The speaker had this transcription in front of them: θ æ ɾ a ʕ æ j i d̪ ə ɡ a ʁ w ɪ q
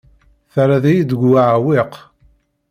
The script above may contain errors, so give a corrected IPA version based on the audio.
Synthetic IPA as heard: θ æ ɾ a ð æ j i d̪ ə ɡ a ʕ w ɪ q